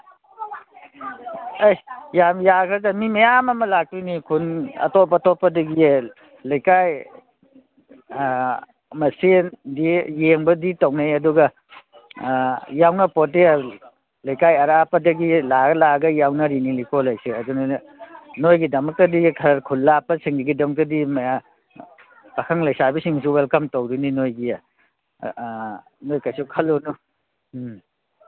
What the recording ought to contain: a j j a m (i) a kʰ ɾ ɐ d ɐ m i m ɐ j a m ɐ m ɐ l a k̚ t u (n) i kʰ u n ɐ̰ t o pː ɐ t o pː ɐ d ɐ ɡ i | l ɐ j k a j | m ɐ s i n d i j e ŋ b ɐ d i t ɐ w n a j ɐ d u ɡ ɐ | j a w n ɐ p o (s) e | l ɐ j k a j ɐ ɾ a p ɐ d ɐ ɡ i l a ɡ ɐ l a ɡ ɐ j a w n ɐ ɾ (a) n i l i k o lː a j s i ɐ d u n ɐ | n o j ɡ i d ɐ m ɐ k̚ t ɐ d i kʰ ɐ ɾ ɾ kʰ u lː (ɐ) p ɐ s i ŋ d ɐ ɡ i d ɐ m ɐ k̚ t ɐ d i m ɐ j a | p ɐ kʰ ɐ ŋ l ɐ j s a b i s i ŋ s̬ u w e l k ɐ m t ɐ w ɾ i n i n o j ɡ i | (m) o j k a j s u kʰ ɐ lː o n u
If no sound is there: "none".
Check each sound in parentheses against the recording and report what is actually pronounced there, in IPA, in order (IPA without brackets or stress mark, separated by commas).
j, n, t, i, a, n